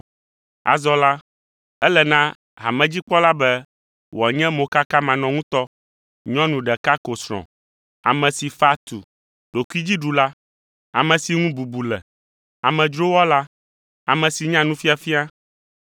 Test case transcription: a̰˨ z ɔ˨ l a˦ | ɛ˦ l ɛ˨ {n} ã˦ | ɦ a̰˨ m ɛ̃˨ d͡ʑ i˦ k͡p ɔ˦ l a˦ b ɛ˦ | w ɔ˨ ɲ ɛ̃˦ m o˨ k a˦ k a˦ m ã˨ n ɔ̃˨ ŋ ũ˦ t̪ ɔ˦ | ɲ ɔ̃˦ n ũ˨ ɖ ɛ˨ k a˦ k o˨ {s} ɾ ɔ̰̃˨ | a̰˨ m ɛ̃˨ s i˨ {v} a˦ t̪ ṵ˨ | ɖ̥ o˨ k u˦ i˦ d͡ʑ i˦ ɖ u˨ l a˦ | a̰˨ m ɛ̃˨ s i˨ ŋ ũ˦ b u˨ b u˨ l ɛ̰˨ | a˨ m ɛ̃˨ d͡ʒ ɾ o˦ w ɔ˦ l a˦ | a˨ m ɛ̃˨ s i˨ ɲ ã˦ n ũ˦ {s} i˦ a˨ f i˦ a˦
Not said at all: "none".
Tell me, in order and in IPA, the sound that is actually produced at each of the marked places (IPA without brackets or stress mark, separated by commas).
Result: n, s, f, f